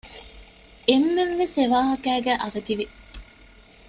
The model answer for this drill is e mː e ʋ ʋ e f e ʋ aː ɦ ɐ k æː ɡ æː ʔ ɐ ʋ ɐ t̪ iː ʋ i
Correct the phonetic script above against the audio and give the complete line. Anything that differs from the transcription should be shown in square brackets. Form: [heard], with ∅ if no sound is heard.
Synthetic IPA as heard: e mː e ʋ ʋ e [s] e ʋ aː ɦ ɐ k æː ɡ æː ʔ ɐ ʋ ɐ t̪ [i] ʋ i